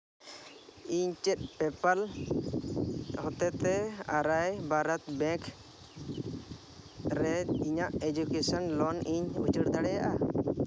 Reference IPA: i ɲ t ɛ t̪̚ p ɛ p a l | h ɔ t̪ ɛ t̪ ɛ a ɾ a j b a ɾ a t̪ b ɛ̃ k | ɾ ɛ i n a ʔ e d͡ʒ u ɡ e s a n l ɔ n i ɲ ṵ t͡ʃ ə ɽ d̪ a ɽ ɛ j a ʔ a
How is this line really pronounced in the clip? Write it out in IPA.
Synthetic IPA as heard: i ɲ t͡ʃ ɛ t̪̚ p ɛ p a l | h ɔ t̪ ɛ t̪ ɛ a ɾ a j b a ɾ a t̪ b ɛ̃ k | ɾ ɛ i ɲ a ʔ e d͡ʒ u k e s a n l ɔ n i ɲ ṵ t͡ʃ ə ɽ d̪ a ɽ ɛ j a ʔ a